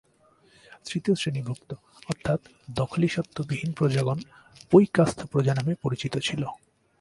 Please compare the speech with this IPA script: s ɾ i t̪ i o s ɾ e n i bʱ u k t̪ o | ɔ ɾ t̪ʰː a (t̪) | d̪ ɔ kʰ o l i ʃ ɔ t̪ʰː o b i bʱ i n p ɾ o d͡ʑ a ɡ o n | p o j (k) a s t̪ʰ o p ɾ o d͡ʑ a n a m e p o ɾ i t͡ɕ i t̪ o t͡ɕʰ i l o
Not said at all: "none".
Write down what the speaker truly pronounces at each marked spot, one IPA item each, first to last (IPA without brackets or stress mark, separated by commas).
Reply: t̪, k